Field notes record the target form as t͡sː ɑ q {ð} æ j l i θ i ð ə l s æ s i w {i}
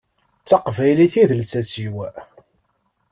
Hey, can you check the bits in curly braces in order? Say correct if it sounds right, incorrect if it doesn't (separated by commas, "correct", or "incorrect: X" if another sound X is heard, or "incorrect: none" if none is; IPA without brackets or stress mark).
incorrect: v, incorrect: æ